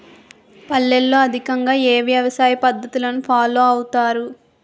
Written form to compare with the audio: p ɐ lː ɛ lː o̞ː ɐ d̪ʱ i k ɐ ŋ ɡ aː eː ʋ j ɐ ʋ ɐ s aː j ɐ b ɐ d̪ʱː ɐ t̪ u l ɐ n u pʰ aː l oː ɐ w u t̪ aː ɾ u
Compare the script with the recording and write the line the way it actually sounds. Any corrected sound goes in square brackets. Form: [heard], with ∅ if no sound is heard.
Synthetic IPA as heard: p ɐ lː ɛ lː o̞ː ɐ d̪ʱ i k ɐ ŋ ɡ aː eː ʋ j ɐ ʋ ɐ s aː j ɐ [p] ɐ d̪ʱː ɐ t̪ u l ɐ n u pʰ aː l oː ɐ w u t̪ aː ɾ u